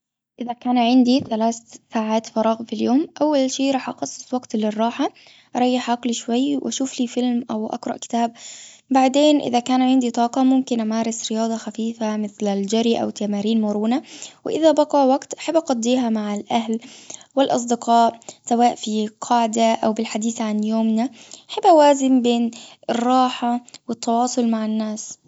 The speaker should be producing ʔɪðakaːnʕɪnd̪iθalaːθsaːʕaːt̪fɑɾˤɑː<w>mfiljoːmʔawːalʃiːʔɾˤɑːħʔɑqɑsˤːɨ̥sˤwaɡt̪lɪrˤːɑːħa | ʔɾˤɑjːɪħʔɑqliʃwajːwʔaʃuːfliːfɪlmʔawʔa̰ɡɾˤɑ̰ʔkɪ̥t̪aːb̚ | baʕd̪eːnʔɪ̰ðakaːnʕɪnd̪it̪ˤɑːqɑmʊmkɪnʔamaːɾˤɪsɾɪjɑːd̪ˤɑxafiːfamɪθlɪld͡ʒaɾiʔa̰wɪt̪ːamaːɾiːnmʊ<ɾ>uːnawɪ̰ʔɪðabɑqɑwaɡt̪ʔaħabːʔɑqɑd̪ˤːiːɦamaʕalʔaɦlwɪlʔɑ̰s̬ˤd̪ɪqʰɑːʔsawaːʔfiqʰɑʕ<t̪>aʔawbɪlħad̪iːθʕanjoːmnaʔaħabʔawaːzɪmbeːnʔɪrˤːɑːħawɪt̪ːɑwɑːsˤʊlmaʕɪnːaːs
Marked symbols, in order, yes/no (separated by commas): no, yes, no